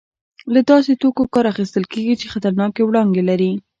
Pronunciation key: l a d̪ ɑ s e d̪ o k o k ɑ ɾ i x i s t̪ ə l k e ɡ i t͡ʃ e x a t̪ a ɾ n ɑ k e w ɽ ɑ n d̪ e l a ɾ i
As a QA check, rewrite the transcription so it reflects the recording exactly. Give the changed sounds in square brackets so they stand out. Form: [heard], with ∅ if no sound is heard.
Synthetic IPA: l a d̪ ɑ s e [t̪] o k o k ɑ ɾ [a] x i s t̪ ə l k e ɡ i t͡ʃ e x a t̪ a ɾ n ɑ k e w ɽ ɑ n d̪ e l a ɾ i